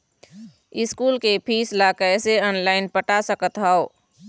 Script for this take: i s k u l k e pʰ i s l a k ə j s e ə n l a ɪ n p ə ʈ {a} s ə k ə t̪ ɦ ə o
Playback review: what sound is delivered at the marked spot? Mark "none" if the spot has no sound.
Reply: a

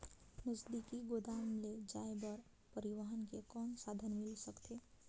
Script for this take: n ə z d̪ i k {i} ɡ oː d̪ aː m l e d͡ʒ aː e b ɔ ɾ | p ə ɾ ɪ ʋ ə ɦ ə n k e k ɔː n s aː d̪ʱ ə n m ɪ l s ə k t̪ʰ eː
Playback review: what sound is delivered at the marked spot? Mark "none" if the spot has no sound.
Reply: i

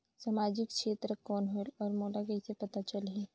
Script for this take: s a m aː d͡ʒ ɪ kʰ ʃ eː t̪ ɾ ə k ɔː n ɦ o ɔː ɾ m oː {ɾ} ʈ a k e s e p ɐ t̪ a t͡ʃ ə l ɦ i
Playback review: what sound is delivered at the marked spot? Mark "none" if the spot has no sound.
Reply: none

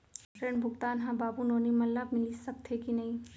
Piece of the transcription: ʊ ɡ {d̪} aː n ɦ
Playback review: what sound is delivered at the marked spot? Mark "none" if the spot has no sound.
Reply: t̪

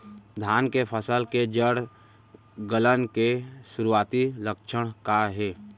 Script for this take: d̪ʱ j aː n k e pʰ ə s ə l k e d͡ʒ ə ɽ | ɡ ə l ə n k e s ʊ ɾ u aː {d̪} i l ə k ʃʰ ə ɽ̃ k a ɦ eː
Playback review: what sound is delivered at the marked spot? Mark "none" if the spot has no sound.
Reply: t̪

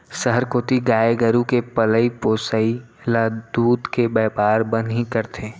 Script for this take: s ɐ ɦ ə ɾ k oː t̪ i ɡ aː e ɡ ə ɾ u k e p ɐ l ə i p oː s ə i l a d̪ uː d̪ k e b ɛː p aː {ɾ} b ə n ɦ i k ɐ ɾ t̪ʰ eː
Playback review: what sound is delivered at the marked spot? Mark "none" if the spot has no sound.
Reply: ɾ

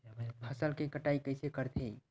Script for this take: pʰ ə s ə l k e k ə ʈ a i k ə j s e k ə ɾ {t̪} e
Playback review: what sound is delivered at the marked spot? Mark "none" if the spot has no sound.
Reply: t̪ʰ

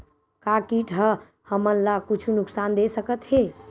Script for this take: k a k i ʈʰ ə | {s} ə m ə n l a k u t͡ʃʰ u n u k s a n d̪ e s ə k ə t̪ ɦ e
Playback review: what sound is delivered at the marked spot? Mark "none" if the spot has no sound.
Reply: h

